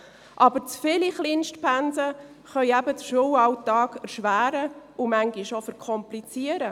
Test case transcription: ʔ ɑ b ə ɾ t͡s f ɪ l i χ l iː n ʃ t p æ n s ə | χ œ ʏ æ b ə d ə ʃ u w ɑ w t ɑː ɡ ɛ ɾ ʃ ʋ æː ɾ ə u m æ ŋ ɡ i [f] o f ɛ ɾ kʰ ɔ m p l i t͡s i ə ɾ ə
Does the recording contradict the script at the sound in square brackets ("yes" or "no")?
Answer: yes